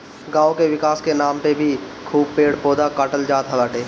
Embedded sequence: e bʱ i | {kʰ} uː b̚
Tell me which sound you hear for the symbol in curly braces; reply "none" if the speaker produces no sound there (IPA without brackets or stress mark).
kʰ